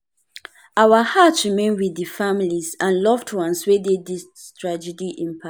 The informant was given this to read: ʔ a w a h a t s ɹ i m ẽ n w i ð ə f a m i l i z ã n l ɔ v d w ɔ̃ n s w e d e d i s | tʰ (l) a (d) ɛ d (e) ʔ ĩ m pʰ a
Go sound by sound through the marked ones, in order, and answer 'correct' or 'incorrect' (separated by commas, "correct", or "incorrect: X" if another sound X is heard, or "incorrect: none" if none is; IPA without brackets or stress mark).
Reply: incorrect: ɹ, incorrect: d͡ʒ, incorrect: i